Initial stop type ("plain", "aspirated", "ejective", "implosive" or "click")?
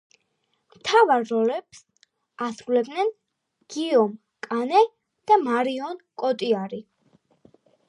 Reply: aspirated